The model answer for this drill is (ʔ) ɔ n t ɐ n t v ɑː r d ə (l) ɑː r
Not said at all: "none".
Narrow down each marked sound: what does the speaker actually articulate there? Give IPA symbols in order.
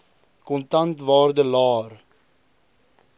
k, l

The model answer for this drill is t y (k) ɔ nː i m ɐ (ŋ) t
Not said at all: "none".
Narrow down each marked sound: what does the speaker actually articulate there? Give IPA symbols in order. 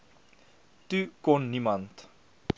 k, n

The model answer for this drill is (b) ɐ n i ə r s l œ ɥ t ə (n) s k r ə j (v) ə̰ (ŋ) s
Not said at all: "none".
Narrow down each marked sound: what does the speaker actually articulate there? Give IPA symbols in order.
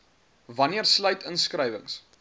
v, n, v, ŋ

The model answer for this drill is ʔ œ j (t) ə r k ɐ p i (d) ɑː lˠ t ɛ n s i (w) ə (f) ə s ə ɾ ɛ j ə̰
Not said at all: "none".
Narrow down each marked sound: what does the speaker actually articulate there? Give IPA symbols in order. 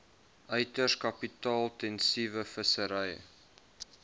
t, t, v, f

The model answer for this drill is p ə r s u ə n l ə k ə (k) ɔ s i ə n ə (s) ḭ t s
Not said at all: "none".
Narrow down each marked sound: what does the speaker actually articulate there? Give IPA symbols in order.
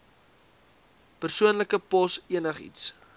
p, χ

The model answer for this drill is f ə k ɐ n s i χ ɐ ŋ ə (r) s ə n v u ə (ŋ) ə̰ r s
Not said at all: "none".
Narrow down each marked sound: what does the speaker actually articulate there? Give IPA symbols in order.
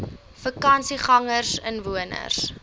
r, n

